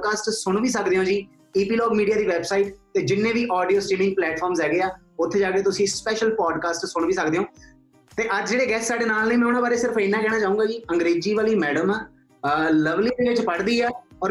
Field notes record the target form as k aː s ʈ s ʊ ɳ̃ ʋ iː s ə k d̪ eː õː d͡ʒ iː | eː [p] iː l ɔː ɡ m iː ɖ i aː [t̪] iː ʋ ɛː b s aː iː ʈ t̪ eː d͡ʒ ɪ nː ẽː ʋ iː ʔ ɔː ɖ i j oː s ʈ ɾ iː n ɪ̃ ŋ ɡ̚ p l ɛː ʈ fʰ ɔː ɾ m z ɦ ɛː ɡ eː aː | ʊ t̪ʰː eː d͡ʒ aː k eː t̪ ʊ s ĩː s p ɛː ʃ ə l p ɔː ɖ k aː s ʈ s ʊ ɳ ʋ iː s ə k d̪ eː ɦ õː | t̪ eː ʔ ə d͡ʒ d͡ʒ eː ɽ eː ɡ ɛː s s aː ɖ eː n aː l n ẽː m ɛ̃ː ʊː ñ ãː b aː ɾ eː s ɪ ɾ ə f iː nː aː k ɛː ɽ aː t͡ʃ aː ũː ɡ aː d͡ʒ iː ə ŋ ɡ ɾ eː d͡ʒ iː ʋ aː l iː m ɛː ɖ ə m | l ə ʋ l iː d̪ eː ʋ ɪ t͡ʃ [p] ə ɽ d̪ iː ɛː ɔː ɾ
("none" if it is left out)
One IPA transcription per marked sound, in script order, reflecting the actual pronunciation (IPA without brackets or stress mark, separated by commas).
p, d̪, p